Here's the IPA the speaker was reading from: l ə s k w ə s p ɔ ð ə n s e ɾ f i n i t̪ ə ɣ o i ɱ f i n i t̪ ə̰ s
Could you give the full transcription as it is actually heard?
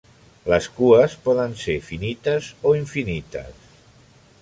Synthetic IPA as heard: l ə s k u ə s p ɔ ð ə n s e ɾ f i n i t̪ ə z o i ɱ f i n i t̪ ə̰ s